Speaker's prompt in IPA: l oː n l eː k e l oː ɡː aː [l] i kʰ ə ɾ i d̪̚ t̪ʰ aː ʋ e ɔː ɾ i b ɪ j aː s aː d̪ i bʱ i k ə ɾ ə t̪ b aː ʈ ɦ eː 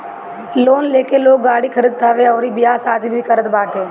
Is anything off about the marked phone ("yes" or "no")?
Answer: yes